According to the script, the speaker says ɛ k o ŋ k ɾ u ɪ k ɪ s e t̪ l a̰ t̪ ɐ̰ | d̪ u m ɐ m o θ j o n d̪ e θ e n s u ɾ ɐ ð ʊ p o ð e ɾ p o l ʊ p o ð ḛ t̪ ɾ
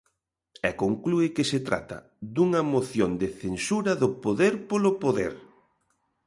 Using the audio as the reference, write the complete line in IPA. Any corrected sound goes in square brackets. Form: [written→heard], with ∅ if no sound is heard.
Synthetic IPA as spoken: ɛ k o ŋ k [ɾ→l] u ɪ k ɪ s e t̪ [l→ɾ] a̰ t̪ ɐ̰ | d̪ u [m→ŋ] ɐ m o θ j o n d̪ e θ e n s u ɾ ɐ ð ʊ p o ð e ɾ p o l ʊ p o ð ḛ [t̪→∅] ɾ